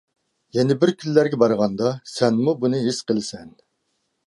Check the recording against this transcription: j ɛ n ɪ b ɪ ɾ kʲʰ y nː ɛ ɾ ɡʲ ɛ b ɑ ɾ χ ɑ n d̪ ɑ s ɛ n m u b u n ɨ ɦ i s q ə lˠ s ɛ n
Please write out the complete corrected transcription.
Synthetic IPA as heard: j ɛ n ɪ b ɪ ɾ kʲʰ y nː æ ɾ ɡʲ ɛ b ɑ ɾ ʁ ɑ n d̪ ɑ s ɛ n m u b u n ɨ ɦ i s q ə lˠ s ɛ n